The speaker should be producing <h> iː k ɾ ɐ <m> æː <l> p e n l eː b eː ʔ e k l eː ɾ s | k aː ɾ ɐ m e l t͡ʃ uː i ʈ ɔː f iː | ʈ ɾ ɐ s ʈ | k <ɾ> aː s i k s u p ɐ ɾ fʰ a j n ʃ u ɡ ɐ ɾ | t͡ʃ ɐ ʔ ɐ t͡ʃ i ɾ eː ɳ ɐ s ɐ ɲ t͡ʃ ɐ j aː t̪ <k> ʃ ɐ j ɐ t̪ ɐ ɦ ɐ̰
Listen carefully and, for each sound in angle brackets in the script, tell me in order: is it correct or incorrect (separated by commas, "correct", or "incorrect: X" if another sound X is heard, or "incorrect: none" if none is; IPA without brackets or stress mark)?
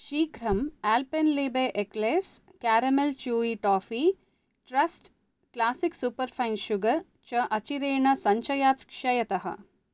incorrect: ʃ, correct, correct, incorrect: l, correct